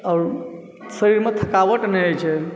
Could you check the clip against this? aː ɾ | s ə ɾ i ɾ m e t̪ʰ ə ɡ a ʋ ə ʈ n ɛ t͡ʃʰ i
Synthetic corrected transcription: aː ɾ | s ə ɾ i ɾ m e t̪ʰ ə k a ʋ ə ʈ n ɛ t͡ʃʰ ɛ